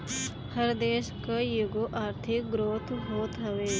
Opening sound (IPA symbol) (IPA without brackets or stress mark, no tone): h